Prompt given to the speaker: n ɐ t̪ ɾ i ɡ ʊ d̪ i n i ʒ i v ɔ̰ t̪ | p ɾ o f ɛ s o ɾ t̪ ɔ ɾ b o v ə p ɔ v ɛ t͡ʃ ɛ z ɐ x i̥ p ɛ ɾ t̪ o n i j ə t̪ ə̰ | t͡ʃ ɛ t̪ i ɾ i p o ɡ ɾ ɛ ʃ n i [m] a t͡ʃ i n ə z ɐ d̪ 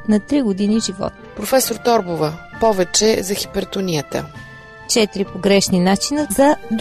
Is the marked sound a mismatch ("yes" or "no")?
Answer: yes